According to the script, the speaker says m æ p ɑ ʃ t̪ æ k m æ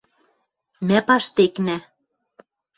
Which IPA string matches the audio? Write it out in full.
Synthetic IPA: m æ p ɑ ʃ t̪ e k n æ